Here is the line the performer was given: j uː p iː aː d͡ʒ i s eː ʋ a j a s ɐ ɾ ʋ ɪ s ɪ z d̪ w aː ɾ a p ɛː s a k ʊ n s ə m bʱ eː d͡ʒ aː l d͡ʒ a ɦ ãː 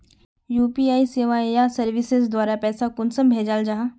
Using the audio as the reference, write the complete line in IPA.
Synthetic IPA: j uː p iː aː i s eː ʋ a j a s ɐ ɾ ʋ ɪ s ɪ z d̪ w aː ɾ a p ɛː s a k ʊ n s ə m bʱ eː d͡ʒ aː l d͡ʒ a ɦ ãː